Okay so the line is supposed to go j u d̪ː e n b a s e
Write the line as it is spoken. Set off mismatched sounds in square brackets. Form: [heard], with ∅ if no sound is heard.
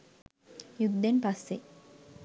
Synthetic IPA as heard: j u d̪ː e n [p] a [sː] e